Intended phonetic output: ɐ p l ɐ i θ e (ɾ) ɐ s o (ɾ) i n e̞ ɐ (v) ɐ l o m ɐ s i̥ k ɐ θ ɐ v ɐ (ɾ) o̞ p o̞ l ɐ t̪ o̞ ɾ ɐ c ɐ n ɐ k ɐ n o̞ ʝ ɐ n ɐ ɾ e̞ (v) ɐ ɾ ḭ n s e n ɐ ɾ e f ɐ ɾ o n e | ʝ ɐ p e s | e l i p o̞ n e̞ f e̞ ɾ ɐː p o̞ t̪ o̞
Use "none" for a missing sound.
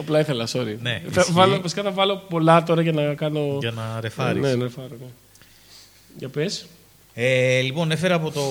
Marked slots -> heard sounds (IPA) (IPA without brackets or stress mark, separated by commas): l, ɾ, v, l, f